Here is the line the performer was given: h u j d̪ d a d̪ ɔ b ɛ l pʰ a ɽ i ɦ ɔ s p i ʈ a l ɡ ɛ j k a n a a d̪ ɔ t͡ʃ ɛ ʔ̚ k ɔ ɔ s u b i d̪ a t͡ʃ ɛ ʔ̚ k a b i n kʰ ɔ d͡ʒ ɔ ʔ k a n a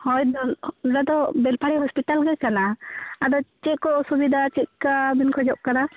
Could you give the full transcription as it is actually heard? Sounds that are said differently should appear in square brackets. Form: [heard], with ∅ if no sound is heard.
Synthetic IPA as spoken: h [ɔ] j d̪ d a d̪ ɔ b ɛ l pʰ a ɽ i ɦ ɔ s p i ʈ a l ɡ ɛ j k a n a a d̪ ɔ t͡ʃ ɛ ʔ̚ k ɔ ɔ s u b i d̪ a t͡ʃ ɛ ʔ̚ k a b i n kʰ ɔ d͡ʒ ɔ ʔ k a n a